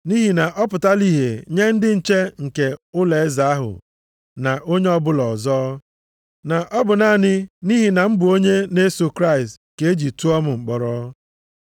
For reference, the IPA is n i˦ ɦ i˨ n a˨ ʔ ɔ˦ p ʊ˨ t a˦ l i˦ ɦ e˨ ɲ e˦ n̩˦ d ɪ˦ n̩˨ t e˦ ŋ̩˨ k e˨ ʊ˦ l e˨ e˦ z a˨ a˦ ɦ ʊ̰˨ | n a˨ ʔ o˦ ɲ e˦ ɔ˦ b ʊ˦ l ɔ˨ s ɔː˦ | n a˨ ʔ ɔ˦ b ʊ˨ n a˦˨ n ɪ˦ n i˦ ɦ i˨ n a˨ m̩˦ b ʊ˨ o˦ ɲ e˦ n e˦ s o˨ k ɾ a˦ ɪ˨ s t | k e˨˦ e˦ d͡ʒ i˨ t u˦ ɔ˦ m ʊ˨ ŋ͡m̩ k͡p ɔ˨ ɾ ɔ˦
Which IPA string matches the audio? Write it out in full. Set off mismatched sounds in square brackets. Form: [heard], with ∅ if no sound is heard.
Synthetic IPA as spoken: n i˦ ɦ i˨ n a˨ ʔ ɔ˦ p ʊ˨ t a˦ l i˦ ɦ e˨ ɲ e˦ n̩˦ d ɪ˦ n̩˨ [t͡ʃ] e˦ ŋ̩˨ k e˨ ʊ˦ l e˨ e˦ z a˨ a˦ ɦ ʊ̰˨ | n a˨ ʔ o˦ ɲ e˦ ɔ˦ b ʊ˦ l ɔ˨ [z] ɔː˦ | n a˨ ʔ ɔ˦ b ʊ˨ n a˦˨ n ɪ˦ n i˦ ɦ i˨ n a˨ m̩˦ b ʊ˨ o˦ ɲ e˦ n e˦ s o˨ k ɾ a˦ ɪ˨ s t | k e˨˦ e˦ d͡ʒ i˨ t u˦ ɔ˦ m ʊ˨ ŋ͡m̩ k͡p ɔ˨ ɾ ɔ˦